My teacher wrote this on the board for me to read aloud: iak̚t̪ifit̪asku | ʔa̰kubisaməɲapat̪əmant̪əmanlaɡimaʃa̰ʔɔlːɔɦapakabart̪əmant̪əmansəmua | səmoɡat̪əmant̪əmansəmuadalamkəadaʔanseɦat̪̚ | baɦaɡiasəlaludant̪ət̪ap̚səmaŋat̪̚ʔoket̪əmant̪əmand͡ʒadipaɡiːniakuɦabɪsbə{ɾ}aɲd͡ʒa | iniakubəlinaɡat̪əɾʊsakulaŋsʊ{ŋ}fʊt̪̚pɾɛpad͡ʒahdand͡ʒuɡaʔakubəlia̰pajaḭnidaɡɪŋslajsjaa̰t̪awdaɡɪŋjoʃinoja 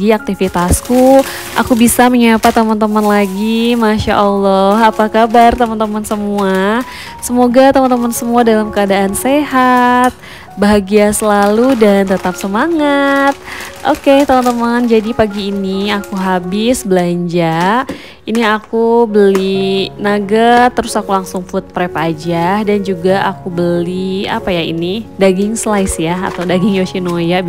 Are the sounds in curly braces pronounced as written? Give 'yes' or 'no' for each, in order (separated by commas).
no, yes